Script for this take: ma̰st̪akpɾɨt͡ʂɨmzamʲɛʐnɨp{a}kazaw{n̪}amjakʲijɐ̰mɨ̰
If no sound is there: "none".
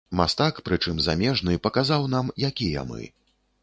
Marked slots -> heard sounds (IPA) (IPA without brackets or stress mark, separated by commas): ɐ, n̪